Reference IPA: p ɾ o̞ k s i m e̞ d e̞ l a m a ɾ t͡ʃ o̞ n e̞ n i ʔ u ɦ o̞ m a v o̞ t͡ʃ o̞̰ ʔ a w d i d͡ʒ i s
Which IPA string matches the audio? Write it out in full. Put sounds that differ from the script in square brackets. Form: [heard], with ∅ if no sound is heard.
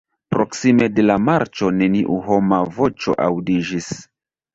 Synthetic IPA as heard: p ɾ o̞ k s i m e̞ d e̞ l a m a ɾ t͡ʃ o̞ n e̞ n i ʔ u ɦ o̞ m a v o̞ t͡ʃ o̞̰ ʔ a w d i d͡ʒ i s